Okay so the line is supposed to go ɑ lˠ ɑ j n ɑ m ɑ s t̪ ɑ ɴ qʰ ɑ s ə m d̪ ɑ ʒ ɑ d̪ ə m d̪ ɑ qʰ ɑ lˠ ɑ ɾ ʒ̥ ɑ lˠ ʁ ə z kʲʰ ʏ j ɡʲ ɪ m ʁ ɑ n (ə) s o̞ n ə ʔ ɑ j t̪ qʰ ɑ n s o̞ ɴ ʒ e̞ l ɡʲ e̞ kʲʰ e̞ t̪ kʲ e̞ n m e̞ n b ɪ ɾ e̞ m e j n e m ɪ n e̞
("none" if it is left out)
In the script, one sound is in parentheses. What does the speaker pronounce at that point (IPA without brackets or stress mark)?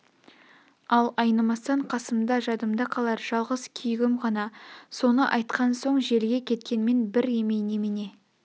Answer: ɑ